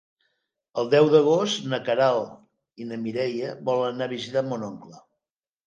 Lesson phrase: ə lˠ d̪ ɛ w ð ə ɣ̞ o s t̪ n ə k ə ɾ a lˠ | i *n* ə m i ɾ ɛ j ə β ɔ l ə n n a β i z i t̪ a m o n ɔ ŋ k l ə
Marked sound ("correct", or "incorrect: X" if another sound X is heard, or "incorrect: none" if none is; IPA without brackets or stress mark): correct